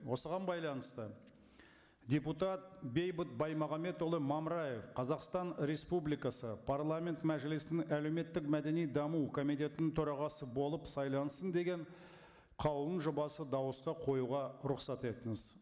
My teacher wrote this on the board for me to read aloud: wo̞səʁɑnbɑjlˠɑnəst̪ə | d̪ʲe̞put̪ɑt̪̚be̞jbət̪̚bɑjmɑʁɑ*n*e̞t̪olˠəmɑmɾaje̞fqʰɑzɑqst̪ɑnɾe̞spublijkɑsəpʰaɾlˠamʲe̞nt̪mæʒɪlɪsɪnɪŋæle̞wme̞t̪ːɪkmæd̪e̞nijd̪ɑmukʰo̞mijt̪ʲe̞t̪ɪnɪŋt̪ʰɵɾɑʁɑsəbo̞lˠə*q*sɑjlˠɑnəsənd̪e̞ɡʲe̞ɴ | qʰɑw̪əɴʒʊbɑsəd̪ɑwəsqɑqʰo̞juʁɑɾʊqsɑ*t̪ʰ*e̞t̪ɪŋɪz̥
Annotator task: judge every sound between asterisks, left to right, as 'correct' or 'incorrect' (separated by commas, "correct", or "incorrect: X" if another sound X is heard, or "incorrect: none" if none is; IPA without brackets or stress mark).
incorrect: m, incorrect: p, incorrect: t̪